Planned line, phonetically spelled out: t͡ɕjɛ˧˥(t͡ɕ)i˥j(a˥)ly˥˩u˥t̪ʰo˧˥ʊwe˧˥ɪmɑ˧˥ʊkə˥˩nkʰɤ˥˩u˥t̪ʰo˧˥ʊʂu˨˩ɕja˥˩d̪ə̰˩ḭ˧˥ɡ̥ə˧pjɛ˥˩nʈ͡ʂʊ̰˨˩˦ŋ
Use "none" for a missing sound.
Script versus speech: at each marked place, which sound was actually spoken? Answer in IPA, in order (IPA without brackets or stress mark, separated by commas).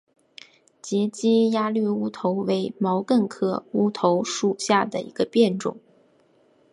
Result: t͡ɕ, a˥